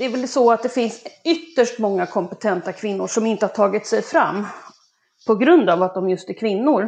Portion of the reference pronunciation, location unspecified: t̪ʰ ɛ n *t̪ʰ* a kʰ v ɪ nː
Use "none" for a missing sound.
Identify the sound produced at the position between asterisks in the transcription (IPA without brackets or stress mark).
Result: t̪